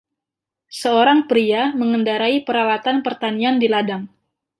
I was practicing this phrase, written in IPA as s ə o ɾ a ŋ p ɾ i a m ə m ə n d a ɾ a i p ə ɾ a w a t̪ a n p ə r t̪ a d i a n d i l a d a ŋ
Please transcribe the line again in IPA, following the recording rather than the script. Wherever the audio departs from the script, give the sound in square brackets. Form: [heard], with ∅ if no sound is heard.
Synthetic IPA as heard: s ə o ɾ a ŋ p ɾ i a m ə [ŋ] ə n d a ɾ a i p ə ɾ a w a t̪ a n p ə r t̪ a [n] i a n d i l a d a ŋ